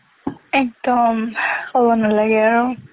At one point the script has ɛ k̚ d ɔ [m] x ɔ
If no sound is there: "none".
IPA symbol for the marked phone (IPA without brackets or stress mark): m